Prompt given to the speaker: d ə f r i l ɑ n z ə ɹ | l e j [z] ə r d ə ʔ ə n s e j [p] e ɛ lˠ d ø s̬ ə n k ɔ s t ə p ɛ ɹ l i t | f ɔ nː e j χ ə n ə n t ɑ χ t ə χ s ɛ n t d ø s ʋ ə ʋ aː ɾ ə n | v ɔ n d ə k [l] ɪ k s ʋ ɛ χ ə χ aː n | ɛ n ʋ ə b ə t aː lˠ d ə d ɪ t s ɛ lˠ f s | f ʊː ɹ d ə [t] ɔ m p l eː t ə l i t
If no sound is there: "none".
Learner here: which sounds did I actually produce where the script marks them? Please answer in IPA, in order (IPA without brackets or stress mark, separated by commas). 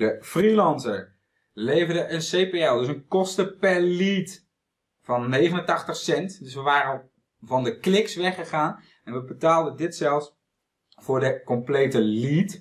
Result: v, p, l, k